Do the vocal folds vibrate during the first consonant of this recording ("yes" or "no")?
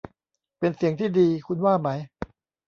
no